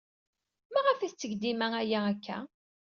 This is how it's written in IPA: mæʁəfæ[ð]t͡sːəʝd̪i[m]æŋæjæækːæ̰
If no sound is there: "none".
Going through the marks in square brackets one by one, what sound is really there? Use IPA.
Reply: θ, m

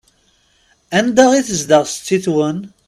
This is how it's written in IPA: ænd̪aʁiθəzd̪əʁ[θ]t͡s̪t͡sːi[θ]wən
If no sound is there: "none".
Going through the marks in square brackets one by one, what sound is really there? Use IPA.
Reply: s, θ

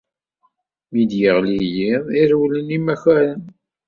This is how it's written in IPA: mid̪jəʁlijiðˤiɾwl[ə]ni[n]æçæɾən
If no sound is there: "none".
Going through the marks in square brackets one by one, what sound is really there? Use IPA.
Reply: ə, m

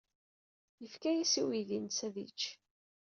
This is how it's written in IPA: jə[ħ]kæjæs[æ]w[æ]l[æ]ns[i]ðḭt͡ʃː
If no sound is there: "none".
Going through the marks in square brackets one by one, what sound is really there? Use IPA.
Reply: f, i, i, i, æ

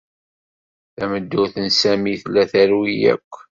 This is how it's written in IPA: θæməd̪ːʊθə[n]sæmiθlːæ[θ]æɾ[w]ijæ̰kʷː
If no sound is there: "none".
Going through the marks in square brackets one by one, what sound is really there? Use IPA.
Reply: n, θ, w

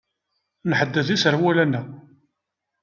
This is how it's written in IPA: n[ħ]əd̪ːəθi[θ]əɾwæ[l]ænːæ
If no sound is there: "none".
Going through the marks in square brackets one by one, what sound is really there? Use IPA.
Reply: ħ, s, l

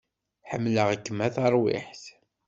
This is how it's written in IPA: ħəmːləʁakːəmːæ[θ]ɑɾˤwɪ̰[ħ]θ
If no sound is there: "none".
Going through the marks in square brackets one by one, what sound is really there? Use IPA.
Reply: θ, ħ

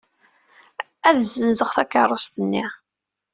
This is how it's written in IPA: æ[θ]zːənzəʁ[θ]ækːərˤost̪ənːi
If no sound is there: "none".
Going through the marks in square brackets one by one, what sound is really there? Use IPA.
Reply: ð, θ

